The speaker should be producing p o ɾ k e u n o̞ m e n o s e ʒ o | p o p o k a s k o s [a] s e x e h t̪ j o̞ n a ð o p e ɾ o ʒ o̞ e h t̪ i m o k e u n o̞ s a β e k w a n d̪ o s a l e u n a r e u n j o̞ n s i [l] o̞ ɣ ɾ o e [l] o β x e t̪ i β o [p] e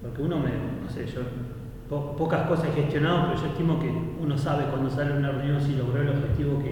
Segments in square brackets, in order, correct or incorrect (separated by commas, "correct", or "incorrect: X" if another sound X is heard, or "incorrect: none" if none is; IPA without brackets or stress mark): correct, correct, correct, incorrect: k